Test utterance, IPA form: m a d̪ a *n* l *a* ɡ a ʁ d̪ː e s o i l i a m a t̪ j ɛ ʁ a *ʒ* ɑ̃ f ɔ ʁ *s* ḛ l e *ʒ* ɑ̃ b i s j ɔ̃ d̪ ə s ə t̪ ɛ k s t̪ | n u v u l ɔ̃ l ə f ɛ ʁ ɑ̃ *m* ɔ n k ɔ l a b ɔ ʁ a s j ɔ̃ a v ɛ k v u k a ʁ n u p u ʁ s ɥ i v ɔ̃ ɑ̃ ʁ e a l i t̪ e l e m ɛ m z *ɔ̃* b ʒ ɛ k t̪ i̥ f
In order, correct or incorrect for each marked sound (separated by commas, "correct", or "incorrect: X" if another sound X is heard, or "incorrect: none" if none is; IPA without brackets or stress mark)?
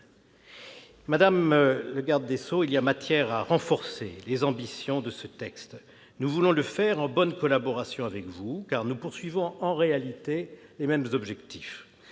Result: incorrect: m, incorrect: ə, incorrect: ʁ, correct, incorrect: z, incorrect: b, incorrect: ɔ